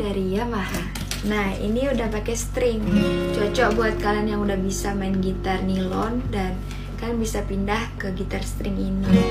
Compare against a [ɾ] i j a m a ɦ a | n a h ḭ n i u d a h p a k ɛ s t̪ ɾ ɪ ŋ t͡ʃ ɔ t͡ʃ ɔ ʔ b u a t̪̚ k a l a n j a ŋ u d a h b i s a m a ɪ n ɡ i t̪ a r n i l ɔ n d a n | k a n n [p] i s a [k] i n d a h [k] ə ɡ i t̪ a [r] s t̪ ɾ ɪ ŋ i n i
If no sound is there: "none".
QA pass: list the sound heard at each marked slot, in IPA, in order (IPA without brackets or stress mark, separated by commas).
ɾ, b, p, k, r